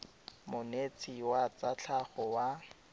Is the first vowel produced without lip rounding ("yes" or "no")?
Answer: no